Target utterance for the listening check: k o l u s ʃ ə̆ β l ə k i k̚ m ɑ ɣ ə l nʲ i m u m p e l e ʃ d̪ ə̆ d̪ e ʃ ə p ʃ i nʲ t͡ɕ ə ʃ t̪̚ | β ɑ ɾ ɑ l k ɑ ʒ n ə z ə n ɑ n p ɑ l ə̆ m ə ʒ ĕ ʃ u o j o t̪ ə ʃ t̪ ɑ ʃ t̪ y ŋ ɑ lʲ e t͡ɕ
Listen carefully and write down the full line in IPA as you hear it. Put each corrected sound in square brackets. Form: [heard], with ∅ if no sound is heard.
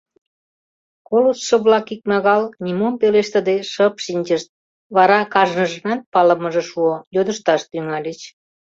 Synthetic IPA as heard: k o l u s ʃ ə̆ β l [ɑ] k i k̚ m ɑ ɣ [ɑ] l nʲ i m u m p e l e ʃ [t̪] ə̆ d̪ e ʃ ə p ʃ i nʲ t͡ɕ ə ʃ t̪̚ | β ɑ ɾ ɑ [∅] k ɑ ʒ n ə [ʒ] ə n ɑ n p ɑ l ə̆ m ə ʒ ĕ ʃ u o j o [d̪] ə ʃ t̪ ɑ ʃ t̪ y ŋ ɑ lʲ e t͡ɕ